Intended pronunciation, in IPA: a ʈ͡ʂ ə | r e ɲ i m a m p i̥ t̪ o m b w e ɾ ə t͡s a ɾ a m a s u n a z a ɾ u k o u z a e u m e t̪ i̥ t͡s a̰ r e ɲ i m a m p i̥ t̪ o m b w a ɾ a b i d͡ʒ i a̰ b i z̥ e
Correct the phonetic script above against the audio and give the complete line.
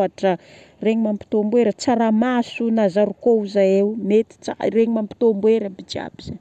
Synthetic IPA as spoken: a ʈ͡ʂ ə | r e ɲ i m a m p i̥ t̪ o m b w e ɾ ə t͡s a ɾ a m a s u n a z a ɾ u k o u z a e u m e t̪ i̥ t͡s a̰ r e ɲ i m a m p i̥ t̪ o m b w e ɾ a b i d͡ʒ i a̰ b i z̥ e